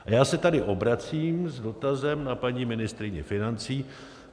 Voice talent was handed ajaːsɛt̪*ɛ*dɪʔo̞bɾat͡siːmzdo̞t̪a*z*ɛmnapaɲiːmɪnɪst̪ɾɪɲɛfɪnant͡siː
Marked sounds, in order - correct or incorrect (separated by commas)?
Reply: incorrect, correct